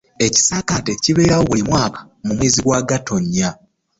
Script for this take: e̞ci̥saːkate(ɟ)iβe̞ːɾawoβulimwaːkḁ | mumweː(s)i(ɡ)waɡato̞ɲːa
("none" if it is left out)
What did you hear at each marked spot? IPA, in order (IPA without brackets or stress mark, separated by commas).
c, z, ɡ